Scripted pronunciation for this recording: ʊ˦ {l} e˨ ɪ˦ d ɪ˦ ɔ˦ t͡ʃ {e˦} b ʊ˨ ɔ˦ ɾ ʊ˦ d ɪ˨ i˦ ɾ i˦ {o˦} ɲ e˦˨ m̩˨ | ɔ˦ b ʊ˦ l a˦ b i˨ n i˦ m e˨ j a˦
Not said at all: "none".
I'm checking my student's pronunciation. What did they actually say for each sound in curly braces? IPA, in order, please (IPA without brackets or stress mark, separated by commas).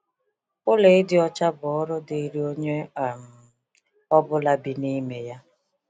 l, a˦, o˦